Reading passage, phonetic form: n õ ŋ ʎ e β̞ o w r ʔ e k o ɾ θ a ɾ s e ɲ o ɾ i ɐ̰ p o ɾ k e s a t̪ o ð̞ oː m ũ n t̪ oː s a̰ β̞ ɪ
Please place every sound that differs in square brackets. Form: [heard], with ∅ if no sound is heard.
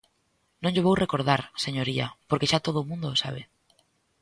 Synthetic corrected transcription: n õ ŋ ʎ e β̞ o w r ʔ e k o ɾ [ð] a ɾ s e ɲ o ɾ i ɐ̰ p o ɾ k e [ʃ] a t̪ o ð̞ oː m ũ n [d̪] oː s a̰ β̞ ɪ